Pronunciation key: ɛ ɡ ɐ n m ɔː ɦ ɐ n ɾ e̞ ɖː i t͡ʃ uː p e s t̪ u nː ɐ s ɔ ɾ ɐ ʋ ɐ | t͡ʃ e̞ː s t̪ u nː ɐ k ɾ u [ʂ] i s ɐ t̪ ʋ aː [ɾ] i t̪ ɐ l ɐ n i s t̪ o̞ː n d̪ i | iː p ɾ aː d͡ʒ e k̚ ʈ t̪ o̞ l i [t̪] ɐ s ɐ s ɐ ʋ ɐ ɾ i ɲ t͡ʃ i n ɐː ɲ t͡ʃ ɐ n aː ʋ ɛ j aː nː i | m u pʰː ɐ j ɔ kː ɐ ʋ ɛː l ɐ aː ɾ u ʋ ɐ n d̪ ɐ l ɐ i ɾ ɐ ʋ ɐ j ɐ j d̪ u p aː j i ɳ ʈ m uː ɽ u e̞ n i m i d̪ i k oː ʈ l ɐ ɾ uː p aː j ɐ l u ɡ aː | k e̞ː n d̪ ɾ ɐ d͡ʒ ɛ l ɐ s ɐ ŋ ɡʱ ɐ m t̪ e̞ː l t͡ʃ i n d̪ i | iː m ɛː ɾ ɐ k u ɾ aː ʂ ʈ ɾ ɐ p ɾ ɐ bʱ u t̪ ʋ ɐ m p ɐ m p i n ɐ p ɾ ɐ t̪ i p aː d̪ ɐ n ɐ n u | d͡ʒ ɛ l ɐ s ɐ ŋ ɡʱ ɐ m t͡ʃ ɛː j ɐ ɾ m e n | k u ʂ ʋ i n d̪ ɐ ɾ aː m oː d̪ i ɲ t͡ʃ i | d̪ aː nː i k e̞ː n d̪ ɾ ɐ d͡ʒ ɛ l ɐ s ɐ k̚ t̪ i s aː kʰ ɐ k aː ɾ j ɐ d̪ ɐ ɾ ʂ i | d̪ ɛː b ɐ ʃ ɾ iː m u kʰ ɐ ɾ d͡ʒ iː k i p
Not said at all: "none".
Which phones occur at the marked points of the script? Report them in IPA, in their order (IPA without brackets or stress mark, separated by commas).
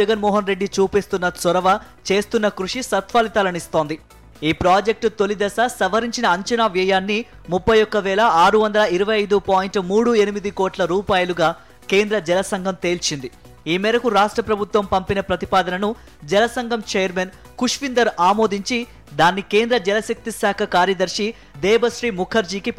ʂ, l, d̪